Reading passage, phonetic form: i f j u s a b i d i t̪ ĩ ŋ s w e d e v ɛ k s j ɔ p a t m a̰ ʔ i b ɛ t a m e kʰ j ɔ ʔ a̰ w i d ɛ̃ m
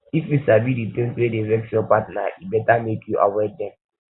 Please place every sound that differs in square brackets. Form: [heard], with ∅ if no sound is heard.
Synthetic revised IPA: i f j u s a b i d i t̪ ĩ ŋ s w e d e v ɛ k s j ɔ p a t [n] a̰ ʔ i b ɛ t a m e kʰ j [u] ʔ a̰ w [ɛ] d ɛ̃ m